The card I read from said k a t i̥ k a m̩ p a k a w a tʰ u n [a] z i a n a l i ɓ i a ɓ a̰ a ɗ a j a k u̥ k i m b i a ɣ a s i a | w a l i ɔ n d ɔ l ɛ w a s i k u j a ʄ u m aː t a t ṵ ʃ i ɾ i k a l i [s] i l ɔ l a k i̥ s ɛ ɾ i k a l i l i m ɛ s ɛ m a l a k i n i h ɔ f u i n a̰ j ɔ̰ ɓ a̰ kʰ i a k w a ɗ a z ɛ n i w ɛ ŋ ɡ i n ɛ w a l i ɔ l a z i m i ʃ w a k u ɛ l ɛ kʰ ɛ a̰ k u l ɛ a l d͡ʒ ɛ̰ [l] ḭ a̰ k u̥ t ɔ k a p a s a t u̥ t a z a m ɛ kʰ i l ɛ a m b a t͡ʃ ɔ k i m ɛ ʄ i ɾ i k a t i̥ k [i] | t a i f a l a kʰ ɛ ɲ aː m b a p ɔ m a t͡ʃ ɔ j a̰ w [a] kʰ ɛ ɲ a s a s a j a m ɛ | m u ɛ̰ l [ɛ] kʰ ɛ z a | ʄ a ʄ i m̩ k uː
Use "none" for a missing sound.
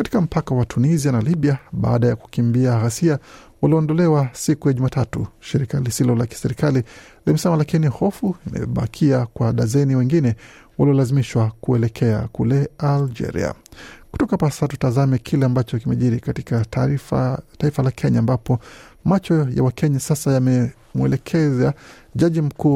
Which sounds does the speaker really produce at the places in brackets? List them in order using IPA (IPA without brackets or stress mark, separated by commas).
i, s, ɾ, a, a, ɛ